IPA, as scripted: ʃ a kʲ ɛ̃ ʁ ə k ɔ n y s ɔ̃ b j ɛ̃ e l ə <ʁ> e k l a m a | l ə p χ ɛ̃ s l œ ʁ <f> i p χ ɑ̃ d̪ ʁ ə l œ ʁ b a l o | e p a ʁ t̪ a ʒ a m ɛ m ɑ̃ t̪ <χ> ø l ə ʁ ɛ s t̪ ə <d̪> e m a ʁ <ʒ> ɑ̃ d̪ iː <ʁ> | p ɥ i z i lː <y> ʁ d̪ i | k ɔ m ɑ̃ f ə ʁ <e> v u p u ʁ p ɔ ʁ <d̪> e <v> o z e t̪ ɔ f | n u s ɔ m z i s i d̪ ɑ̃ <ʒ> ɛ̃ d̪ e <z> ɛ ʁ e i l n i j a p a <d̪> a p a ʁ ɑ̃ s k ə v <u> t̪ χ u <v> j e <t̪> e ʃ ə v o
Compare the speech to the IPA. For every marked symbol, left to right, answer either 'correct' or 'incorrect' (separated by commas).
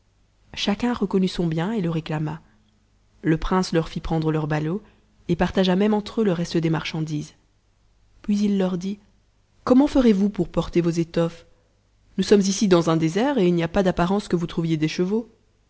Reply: correct, correct, correct, correct, incorrect, incorrect, incorrect, correct, incorrect, correct, incorrect, correct, correct, correct, correct, incorrect